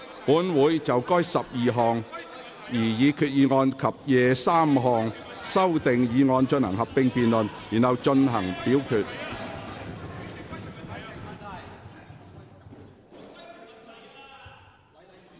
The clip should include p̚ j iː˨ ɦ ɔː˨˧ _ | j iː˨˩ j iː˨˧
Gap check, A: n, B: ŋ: B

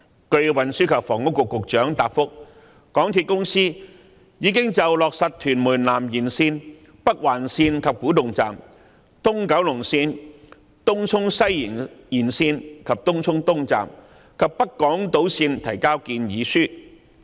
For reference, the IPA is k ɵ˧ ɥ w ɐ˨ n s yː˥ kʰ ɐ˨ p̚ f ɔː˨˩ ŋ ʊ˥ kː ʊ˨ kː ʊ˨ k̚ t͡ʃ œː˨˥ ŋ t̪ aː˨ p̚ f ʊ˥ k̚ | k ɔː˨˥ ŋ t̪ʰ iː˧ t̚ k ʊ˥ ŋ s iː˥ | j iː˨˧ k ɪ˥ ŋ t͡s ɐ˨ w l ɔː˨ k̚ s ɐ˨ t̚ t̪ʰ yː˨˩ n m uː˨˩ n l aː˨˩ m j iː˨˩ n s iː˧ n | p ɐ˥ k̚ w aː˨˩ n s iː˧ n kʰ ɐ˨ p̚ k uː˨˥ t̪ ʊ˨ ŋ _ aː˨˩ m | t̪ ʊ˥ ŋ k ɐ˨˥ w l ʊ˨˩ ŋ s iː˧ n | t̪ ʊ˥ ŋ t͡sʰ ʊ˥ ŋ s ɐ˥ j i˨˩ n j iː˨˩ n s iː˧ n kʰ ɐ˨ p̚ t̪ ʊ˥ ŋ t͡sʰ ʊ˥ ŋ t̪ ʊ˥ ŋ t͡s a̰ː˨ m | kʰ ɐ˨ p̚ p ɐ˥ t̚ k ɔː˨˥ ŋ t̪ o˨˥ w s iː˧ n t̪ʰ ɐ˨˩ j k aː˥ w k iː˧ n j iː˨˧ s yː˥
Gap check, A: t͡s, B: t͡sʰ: A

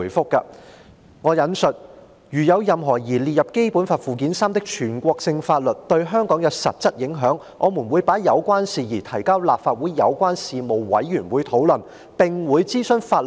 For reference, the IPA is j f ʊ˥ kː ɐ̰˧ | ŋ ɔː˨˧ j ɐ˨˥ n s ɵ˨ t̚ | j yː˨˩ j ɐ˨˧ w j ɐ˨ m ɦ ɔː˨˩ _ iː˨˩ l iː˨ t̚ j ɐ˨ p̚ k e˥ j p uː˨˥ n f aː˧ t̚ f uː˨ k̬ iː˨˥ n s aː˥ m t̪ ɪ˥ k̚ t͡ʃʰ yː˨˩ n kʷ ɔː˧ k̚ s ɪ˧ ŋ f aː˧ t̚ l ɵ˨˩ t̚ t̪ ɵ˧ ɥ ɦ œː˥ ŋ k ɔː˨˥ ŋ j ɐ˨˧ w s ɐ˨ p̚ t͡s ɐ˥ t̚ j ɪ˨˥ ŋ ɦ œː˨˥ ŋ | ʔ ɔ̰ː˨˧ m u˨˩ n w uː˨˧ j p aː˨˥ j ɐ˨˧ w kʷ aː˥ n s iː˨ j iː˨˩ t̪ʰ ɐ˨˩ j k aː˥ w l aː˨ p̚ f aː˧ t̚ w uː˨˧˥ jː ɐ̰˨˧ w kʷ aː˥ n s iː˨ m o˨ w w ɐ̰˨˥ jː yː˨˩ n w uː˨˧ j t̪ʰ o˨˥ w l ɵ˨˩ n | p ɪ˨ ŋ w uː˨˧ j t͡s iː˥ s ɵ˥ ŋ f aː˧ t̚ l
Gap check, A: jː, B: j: B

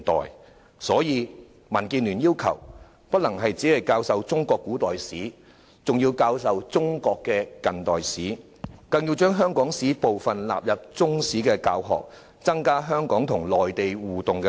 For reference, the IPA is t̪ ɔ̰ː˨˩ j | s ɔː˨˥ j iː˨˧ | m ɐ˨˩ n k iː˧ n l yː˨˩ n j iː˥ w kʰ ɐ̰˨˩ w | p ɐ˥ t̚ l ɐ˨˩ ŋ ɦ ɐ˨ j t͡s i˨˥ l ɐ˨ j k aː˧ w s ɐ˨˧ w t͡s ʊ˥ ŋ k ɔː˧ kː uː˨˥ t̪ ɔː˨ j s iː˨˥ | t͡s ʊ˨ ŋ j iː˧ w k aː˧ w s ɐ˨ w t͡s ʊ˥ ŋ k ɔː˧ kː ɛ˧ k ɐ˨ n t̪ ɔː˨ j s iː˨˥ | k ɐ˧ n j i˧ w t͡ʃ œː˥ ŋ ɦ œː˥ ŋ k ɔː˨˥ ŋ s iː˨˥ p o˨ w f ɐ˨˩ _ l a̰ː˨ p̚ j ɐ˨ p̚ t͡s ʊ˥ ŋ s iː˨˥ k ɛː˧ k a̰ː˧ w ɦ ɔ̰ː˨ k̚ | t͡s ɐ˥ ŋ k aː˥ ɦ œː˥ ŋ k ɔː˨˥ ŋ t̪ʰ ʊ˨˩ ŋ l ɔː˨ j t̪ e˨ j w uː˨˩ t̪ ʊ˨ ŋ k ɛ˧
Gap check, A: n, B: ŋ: A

